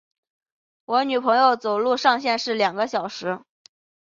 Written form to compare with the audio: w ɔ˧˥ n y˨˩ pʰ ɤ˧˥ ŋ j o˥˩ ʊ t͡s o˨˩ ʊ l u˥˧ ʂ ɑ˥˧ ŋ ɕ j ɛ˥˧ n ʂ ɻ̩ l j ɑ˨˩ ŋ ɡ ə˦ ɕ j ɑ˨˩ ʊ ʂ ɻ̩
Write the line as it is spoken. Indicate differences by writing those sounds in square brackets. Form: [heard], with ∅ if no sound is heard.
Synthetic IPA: w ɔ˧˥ n y˨˩ pʰ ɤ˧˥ ŋ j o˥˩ ʊ t͡s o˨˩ ʊ l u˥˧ ʂ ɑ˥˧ ŋ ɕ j ɛ˥˧ n ʂ ɻ̩ l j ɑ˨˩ ŋ ɡ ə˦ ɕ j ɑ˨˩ ʊ ʂ ɻ̩

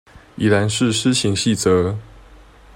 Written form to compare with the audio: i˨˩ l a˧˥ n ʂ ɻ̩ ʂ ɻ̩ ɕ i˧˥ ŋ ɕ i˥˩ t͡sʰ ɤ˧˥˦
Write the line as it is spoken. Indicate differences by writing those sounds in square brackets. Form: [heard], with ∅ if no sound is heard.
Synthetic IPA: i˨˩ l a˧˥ n ʂ ɻ̩ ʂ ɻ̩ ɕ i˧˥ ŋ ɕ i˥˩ [t͡s] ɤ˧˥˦

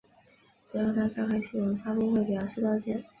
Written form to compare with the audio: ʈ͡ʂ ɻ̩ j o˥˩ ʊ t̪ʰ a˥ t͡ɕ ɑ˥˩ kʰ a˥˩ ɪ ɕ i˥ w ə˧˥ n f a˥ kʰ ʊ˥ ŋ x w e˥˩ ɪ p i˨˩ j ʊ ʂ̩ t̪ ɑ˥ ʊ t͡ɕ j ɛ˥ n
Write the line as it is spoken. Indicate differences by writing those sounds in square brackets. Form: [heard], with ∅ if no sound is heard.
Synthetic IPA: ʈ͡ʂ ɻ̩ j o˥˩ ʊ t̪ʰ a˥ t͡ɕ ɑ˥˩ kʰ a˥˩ ɪ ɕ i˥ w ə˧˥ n f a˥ [k] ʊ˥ ŋ x w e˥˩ ɪ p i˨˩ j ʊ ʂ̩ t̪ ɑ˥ ʊ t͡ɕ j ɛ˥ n

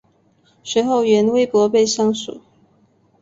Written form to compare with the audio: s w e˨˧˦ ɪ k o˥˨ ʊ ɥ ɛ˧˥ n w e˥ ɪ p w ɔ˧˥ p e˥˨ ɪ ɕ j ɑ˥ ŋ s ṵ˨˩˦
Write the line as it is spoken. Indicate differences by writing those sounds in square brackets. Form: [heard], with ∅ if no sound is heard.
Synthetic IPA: s w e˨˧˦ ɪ [x] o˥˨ ʊ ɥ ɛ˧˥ n w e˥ ɪ p w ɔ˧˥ p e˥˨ ɪ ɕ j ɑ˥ ŋ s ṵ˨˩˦

